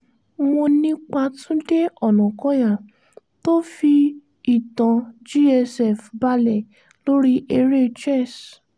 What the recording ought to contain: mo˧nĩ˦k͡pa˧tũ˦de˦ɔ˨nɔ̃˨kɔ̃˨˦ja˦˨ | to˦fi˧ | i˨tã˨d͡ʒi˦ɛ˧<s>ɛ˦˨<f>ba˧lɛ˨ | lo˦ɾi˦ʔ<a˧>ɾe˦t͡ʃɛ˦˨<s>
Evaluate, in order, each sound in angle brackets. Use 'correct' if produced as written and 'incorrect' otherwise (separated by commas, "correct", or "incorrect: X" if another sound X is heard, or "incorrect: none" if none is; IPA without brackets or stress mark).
correct, correct, incorrect: e˧, correct